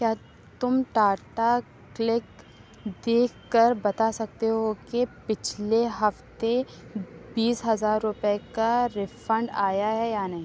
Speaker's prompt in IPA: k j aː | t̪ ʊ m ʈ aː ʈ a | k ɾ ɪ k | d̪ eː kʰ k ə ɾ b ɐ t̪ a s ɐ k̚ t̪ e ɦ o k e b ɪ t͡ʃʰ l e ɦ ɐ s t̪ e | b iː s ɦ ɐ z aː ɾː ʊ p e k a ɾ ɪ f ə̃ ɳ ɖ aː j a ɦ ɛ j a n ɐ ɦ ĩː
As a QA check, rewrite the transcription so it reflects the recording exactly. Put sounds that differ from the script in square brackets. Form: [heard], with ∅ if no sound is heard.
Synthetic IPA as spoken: k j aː | t̪ ʊ m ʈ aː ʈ a | k [l] ɪ k | d̪ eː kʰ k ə ɾ b ɐ t̪ a s ɐ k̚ t̪ e ɦ o k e [p] ɪ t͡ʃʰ l e ɦ ɐ [f] t̪ e | b iː s ɦ ɐ z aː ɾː ʊ p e k a ɾ ɪ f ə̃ ɳ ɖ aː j a ɦ ɛ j a n ɐ ɦ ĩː